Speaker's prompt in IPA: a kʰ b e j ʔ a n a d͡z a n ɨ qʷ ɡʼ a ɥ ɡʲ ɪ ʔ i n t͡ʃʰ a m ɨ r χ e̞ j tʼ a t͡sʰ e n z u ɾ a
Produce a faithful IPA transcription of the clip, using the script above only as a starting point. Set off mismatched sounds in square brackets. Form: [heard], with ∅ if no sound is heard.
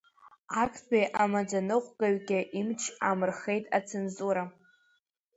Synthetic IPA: a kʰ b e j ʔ a [m] a d͡z a n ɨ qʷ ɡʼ a ɥ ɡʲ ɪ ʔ i [m] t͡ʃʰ a m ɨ r χ e̞ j tʼ a t͡sʰ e n z u ɾ a